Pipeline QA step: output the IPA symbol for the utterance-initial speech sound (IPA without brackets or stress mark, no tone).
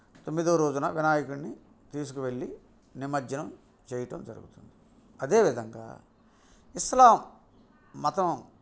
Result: t̪